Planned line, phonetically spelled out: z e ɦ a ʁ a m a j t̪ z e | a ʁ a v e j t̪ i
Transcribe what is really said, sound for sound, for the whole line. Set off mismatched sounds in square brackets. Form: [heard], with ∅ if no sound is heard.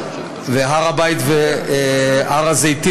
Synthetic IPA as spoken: [v] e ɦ a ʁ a [b] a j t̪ [v] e | a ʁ a [z] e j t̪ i